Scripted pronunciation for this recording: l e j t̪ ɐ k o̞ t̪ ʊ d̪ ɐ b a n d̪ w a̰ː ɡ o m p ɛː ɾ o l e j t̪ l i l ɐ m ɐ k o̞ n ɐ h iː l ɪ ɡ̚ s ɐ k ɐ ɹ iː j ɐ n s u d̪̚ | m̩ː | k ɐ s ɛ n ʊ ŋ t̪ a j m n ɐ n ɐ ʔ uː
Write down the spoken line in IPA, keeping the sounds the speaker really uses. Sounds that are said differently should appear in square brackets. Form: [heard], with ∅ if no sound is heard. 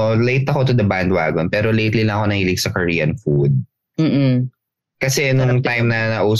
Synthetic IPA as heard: l e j t̪ ɐ k o̞ t̪ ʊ d̪ ɐ b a n d̪ w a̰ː ɡ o [n] p ɛː ɾ o l e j t̪ l i l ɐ [ŋ] ɐ k o̞ n ɐ h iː l ɪ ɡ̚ s ɐ k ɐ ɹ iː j ɐ n [f] u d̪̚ | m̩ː | k ɐ s ɛ n ʊ ŋ t̪ a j m n ɐ n ɐ ʔ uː